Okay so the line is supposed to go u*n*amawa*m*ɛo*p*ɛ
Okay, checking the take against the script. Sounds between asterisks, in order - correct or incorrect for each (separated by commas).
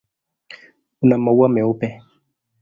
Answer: correct, correct, correct